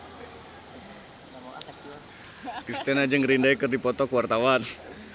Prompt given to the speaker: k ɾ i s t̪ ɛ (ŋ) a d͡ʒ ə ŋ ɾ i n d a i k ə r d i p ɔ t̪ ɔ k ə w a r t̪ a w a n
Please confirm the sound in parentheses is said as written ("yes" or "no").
no